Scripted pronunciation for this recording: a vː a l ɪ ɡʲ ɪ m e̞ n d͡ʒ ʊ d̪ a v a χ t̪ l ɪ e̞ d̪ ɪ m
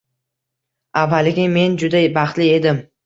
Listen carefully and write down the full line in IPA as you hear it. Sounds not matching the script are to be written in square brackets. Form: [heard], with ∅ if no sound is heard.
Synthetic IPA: a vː a l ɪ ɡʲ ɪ m e̞ n d͡ʒ ʊ d̪ a [b] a χ t̪ l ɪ e̞ d̪ ɪ m